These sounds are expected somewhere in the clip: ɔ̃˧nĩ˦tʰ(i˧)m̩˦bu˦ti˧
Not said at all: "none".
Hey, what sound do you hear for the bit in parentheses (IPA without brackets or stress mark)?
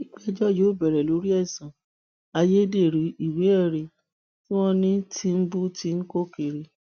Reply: i˧